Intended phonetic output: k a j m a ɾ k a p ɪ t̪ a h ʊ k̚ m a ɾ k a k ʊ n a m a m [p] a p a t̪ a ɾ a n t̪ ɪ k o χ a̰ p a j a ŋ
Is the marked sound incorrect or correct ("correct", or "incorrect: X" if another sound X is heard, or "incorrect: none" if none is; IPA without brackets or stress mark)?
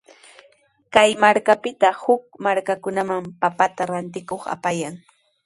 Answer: correct